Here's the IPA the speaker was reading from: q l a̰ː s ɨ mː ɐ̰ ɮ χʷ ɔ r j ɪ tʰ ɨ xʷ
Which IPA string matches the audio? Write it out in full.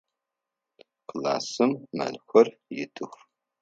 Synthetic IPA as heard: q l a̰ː s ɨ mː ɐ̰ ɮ xʷ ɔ r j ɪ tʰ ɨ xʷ

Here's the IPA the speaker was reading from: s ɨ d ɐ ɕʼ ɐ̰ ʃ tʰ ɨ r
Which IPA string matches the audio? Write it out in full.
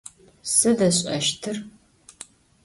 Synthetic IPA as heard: s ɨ d ɐ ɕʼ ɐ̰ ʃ tʰ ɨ r

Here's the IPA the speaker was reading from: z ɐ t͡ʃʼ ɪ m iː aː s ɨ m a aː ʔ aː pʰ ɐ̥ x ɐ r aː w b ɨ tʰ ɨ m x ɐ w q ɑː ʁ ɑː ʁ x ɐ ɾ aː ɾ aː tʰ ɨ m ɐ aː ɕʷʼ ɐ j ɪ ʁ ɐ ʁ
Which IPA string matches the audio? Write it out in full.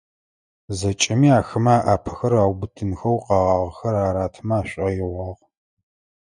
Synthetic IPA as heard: z ɐ t͡ʃʼ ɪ m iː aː x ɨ m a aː ʔ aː pʰ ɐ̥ x ɐ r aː w b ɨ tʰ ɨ n x ɐ w q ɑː ʁ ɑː ʁ x ɐ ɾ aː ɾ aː tʰ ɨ m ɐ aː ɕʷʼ ɐ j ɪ ʁ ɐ ʁ

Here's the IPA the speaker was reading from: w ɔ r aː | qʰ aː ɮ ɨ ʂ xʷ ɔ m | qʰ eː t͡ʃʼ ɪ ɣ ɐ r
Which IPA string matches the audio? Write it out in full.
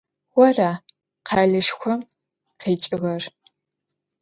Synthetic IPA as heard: w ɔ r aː | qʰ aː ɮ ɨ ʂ xʷ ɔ m | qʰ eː t͡ʃʼ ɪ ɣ ɐ r

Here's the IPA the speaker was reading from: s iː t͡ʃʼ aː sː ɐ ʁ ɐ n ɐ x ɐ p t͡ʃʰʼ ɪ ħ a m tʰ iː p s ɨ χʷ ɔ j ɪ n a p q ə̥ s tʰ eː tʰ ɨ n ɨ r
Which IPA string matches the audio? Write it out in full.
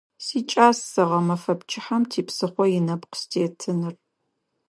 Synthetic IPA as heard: s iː t͡ʃʼ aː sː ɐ ʁ ɐ m ɐ f ɐ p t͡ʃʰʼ ɪ ħ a m tʰ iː p s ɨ χʷ ɔ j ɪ n ɐ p q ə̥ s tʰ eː tʰ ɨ n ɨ r

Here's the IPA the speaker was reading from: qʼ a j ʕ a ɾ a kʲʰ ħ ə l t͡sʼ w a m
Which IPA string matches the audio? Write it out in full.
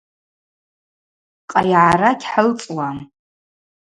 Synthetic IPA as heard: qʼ a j ʕ a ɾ a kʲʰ ħ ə l t͡sʼ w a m

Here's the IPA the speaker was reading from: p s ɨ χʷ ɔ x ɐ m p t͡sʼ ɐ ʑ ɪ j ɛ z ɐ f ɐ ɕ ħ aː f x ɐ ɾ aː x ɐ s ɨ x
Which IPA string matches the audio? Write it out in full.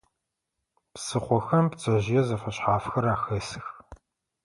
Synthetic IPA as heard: p s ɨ χʷ ɔ x ɐ m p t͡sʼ ɐ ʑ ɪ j ɛ z ɐ f ɐ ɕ ħ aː f x ɐ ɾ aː x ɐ s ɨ x

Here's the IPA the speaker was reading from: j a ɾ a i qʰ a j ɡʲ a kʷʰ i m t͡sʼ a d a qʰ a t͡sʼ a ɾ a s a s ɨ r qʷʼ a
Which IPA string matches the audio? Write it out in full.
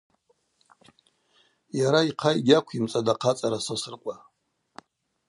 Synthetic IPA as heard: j a ɾ a i qʰ a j ɡʲ a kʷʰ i m t͡sʼ a d a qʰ a t͡sʼ a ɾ a s a s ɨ r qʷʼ a

